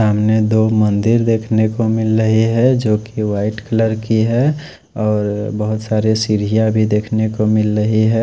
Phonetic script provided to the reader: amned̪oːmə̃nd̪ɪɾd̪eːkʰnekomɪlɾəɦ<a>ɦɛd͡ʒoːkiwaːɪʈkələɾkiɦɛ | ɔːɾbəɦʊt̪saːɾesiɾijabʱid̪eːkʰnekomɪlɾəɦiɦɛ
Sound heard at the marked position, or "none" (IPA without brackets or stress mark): i